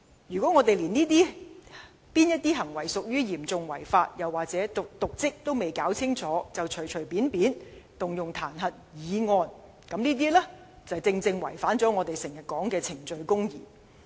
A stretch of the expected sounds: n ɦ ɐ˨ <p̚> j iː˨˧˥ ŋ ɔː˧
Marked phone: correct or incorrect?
incorrect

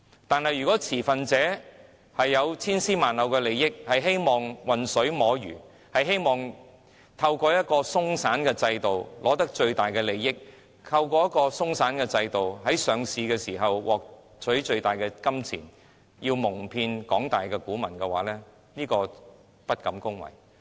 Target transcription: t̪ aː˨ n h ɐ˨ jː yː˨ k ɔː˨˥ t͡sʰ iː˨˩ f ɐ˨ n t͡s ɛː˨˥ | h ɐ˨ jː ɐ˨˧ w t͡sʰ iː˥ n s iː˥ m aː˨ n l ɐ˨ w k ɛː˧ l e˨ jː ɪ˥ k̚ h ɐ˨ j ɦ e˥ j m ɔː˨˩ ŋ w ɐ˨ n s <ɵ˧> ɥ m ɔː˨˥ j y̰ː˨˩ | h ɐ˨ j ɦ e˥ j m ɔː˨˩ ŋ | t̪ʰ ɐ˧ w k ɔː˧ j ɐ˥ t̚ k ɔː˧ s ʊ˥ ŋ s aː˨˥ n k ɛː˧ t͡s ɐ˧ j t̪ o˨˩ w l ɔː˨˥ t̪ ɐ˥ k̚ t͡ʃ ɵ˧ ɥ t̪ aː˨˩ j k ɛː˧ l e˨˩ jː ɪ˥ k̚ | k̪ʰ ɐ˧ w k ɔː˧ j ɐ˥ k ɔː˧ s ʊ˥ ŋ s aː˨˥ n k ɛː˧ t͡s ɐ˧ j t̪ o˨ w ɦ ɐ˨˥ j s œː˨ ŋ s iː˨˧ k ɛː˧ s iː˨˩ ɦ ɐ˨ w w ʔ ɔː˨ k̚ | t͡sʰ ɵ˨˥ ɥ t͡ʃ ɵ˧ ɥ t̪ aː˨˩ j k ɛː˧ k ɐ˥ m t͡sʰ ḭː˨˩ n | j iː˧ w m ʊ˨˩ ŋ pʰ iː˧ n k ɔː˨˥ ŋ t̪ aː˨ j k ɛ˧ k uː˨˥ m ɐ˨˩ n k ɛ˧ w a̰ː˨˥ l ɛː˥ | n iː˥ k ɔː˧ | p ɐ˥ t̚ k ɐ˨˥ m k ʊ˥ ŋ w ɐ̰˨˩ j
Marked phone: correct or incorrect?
incorrect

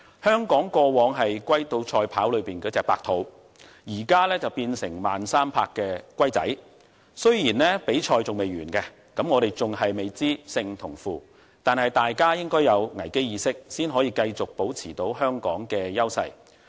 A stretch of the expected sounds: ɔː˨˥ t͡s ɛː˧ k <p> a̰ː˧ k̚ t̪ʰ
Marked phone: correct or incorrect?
correct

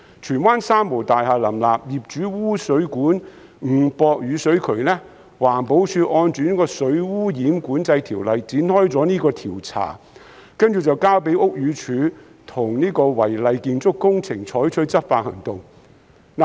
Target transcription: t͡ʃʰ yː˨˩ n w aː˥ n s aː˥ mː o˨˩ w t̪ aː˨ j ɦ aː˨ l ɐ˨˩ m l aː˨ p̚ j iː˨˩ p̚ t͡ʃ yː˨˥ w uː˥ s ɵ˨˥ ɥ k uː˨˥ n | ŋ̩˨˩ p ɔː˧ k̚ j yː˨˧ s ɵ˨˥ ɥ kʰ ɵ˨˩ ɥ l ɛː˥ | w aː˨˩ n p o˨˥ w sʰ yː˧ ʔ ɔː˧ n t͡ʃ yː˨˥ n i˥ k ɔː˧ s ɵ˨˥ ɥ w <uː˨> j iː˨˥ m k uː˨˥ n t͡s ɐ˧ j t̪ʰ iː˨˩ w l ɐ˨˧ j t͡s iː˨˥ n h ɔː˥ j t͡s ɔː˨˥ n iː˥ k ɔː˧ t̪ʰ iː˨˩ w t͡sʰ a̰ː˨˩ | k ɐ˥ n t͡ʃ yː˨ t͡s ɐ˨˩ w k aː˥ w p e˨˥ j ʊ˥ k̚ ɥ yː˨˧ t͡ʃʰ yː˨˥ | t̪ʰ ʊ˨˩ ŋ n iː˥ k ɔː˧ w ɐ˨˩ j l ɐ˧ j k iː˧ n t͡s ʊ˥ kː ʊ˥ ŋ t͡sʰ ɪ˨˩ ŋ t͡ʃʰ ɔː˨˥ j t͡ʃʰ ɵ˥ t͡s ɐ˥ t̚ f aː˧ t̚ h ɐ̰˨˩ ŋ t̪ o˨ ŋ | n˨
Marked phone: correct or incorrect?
incorrect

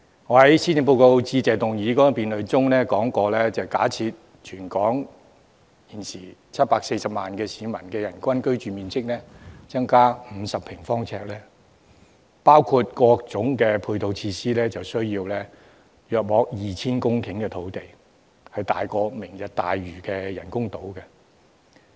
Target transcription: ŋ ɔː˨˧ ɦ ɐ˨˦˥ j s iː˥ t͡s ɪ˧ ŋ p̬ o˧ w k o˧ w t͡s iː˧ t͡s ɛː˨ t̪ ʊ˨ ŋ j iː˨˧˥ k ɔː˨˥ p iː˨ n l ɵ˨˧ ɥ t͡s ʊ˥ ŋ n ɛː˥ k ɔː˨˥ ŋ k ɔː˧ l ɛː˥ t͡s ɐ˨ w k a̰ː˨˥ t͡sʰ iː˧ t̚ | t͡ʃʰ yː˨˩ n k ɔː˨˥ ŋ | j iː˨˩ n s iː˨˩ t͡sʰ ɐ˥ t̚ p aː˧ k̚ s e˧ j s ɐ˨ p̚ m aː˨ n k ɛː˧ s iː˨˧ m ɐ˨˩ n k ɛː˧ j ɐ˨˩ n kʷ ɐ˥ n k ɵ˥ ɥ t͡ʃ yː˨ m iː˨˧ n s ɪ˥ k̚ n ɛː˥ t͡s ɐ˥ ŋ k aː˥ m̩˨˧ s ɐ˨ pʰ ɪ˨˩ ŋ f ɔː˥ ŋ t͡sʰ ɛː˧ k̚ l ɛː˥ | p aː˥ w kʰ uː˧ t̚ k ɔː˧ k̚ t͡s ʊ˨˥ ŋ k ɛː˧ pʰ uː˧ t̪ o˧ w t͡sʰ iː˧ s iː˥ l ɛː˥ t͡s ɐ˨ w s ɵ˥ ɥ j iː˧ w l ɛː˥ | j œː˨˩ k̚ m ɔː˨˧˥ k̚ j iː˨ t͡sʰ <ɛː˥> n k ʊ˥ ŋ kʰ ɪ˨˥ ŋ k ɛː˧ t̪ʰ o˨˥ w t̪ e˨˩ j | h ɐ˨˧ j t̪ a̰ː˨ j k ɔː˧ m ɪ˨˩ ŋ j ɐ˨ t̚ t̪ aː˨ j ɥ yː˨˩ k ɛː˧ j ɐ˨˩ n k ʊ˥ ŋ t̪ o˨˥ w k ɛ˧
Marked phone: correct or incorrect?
incorrect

